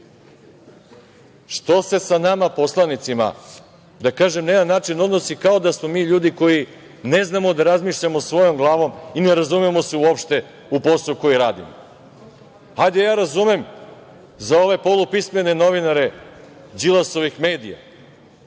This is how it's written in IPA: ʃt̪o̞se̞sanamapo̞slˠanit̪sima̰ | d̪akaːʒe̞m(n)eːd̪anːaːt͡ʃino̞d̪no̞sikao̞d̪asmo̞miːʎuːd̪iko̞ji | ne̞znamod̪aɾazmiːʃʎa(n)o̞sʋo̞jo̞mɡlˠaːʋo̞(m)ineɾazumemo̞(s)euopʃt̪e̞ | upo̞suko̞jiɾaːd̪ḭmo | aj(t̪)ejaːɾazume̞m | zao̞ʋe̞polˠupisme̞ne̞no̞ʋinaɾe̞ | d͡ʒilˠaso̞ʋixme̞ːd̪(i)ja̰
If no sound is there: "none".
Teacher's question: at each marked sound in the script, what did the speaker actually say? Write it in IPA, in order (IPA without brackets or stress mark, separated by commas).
n, m, m, s, d̪, i